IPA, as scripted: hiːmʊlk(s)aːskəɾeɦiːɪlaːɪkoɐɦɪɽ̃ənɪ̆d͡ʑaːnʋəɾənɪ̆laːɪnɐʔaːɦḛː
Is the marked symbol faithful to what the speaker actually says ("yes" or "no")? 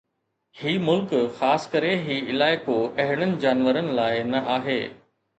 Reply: no